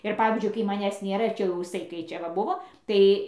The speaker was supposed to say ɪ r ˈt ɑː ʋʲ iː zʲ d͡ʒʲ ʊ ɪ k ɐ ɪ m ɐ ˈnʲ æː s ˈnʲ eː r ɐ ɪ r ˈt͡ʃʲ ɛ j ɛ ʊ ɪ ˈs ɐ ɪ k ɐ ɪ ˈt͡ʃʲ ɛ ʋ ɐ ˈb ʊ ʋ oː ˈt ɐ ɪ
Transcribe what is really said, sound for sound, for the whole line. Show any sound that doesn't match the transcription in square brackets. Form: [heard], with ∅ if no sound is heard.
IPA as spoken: ɪ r [ˈp] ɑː ʋʲ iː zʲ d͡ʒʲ ʊ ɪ k ɐ ɪ m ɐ ˈnʲ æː s ˈnʲ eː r ɐ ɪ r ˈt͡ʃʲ ɛ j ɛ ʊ ɪ ˈs ɐ ɪ k ɐ ɪ ˈt͡ʃʲ ɛ ʋ ɐ ˈb ʊ ʋ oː ˈt ɐ ɪ